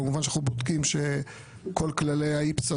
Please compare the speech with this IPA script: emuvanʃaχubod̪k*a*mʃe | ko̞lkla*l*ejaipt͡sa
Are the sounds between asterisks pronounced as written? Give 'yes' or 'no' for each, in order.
no, yes

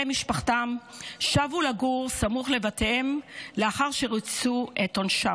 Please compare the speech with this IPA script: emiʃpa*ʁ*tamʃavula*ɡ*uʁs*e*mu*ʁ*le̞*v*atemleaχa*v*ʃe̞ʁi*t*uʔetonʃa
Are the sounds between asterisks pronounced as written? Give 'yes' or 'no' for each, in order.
no, yes, no, no, yes, no, no

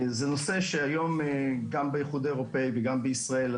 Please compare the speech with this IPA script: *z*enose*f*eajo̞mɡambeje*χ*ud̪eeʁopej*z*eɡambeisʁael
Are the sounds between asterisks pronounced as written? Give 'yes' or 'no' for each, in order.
yes, no, yes, no

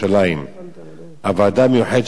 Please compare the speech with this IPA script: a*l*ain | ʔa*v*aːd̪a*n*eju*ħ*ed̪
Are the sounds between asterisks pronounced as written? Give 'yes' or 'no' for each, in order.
yes, yes, no, yes

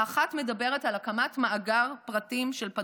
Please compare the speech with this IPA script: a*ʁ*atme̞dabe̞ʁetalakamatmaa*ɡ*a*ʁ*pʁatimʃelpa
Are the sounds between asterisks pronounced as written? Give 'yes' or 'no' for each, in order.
no, yes, yes

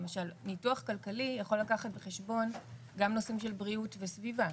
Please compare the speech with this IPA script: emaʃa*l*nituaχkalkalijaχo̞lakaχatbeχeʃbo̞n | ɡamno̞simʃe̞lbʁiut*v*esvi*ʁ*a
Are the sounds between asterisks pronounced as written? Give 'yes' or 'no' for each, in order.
yes, yes, no

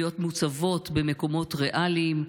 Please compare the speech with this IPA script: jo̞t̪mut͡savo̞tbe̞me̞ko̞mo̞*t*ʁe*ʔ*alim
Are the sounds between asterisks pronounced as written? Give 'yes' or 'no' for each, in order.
yes, yes

